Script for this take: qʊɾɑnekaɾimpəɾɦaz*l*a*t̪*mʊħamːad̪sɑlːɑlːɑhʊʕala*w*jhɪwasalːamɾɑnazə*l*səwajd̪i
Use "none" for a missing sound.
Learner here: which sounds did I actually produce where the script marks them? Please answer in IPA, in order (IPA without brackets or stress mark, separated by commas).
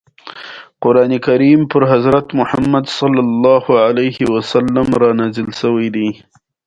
ɾ, t̪, none, l